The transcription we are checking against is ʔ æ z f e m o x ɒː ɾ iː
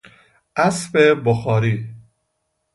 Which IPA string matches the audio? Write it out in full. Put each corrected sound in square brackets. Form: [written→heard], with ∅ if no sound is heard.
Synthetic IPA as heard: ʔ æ [z→s] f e [m→b] o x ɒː ɾ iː